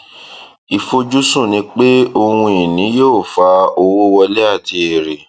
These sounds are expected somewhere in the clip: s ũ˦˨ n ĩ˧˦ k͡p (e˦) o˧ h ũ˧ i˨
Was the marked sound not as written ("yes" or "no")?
no